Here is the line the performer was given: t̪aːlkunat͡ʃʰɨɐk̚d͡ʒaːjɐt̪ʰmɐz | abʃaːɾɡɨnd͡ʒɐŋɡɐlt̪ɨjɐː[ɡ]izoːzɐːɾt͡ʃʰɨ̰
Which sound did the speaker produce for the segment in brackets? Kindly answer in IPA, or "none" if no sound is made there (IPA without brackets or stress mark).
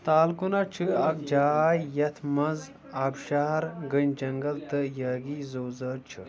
ɡ